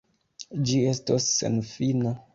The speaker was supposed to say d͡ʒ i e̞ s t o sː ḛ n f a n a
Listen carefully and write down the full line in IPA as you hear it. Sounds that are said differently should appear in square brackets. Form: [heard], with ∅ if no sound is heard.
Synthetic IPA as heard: d͡ʒ i e̞ s t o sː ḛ n f [i] n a